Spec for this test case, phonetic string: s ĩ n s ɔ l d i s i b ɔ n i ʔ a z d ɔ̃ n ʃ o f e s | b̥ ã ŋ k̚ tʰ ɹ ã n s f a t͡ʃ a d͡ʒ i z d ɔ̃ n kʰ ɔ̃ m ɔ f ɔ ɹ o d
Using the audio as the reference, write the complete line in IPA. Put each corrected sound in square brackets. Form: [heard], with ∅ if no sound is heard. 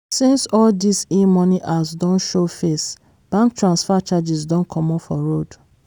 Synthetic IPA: s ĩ n s ɔ l d i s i [m] ɔ n i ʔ a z d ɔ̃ n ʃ o f e s | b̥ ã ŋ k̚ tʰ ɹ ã n s f a t͡ʃ a d͡ʒ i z d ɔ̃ n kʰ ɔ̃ m ɔ f ɔ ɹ o d